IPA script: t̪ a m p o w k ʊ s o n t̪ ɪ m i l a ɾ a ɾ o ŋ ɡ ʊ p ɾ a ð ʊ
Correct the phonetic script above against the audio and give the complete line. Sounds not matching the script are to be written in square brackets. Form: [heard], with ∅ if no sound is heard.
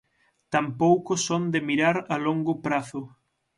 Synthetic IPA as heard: t̪ a m p o w k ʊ s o n [d̪] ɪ m i [ɾ] a ɾ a [l] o ŋ ɡ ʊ p ɾ a [θ] ʊ